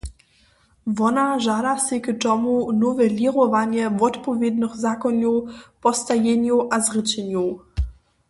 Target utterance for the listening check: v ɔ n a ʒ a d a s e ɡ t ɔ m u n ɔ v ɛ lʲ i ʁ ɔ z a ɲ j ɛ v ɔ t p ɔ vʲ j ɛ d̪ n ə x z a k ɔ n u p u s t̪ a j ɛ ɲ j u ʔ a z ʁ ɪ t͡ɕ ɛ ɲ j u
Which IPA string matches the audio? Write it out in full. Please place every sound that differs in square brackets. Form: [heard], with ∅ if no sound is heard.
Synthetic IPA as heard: v ɔ n a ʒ a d a s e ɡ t ɔ m u n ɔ v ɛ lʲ i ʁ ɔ [v] a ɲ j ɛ v ɔ t p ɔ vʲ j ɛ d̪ n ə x z a k ɔ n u p [ɔ] s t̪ a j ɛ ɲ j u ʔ a z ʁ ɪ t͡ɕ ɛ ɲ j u